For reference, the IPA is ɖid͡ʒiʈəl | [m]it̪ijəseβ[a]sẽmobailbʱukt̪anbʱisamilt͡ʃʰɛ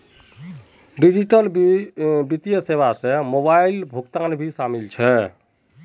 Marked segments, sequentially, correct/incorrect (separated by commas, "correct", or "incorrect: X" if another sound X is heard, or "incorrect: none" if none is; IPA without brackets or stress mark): incorrect: b, correct